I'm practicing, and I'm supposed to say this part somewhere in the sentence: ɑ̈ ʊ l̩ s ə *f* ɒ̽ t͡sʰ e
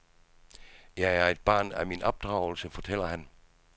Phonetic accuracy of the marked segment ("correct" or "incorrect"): correct